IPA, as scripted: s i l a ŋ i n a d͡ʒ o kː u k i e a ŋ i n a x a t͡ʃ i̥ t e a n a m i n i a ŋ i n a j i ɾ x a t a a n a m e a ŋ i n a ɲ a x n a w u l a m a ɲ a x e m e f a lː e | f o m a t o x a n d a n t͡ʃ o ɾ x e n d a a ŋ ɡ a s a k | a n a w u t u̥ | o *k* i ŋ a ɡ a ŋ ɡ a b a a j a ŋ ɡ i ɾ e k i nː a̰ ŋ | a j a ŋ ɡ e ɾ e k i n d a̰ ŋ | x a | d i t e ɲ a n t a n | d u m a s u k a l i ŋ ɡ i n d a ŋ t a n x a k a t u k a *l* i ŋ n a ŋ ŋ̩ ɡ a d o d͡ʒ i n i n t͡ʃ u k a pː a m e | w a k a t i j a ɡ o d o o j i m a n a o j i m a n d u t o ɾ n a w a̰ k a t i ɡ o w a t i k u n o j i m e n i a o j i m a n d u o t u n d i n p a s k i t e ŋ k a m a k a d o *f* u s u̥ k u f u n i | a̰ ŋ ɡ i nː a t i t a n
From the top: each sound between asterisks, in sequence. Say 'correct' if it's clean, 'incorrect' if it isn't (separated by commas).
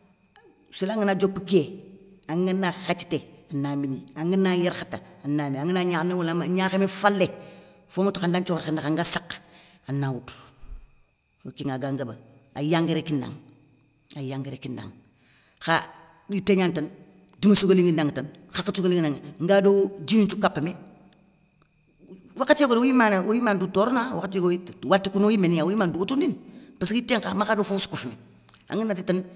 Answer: correct, correct, correct